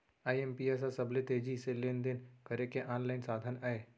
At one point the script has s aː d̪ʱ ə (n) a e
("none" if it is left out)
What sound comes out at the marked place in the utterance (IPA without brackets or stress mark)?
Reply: n